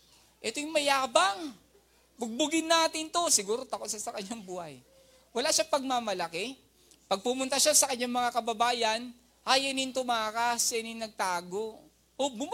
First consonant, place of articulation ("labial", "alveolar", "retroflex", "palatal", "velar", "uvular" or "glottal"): glottal